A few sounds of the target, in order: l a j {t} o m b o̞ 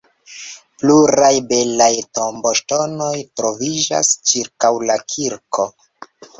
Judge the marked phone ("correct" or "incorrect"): correct